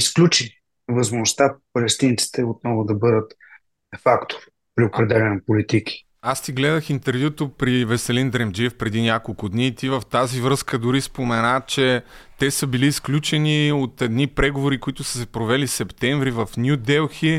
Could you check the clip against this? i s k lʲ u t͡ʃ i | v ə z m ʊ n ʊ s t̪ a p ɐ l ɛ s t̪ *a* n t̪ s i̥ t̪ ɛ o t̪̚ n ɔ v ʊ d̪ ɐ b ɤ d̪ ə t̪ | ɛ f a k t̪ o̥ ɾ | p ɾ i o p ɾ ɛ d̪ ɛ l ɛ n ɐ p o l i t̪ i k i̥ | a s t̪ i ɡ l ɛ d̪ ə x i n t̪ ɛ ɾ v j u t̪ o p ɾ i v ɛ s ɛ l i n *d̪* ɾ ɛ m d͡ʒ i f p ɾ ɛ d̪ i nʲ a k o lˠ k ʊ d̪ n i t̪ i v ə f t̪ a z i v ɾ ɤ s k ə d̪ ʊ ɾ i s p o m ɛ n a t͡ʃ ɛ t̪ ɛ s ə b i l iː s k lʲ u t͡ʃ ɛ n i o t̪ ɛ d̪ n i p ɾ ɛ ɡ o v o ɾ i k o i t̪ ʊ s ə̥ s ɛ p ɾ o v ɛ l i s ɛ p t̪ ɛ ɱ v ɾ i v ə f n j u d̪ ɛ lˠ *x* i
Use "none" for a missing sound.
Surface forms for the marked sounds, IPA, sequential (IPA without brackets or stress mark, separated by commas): i, d̪, x